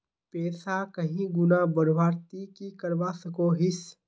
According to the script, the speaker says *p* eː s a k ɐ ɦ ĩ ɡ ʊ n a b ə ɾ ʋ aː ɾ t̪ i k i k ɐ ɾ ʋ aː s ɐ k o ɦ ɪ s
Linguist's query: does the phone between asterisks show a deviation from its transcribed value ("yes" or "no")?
no